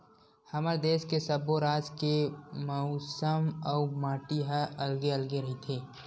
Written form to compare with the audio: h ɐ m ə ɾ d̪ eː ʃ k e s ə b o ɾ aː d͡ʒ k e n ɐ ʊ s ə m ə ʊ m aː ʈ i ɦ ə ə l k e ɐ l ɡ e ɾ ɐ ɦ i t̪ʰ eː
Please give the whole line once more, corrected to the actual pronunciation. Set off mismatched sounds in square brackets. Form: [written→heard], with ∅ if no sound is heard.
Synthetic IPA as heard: h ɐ m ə ɾ d̪ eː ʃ k e s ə b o ɾ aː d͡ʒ k e [n→m] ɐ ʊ s ə m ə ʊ m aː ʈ i ɦ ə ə l [k→ɡ] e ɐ l ɡ e ɾ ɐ ɦ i t̪ʰ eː